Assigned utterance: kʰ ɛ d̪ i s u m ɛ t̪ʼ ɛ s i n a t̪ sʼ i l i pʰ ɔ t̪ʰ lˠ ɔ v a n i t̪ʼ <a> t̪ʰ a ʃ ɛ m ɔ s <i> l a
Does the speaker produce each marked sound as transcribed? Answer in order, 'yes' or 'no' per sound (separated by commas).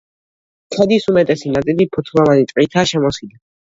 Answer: no, yes